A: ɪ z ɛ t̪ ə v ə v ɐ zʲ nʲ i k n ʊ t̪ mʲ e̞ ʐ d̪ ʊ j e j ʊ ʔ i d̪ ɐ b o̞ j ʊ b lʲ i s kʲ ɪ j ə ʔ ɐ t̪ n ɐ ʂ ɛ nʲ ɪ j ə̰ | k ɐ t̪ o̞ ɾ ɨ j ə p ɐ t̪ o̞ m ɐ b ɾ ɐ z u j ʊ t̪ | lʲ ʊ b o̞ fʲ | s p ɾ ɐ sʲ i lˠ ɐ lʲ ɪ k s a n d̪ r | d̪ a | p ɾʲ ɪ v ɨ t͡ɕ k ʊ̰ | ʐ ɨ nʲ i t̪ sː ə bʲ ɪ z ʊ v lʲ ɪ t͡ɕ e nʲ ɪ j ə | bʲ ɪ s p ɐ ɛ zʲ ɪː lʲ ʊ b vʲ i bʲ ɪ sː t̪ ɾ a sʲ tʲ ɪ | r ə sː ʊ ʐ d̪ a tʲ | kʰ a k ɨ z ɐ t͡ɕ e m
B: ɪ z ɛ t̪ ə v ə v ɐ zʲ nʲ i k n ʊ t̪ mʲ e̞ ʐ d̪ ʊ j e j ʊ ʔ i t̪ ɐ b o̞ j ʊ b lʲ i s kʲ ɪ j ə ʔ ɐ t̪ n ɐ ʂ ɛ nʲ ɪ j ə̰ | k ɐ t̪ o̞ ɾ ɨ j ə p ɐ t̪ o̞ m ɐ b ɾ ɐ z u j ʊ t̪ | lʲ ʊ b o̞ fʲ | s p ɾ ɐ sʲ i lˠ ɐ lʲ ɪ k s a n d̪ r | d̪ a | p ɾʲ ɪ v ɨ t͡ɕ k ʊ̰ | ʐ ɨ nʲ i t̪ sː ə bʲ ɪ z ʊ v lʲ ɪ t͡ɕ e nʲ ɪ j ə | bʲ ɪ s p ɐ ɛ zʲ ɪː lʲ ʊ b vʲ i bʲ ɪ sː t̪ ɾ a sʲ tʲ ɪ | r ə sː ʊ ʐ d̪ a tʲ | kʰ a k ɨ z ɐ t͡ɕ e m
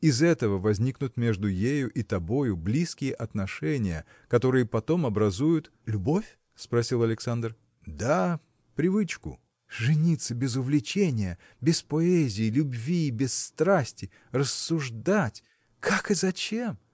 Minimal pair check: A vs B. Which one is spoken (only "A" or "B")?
B